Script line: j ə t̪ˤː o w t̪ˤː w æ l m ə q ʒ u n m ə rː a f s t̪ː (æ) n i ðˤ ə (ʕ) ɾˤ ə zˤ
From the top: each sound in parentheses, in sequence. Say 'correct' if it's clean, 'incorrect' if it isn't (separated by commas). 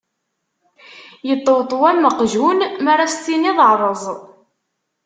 incorrect, correct